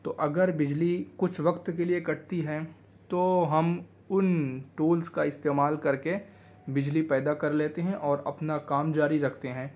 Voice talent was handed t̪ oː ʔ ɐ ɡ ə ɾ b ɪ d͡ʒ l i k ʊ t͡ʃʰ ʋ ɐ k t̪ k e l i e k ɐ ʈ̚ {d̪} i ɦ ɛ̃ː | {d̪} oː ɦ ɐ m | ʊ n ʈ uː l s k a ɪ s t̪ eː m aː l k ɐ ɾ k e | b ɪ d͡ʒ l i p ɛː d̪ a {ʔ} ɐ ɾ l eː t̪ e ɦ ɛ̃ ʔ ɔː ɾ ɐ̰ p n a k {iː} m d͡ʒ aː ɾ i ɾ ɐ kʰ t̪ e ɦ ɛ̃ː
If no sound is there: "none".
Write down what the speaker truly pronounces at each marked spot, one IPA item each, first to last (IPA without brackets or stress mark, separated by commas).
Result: t̪, t̪, k, aː